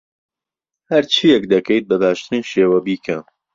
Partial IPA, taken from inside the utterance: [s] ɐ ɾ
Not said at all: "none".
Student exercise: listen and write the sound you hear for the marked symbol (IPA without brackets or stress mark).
h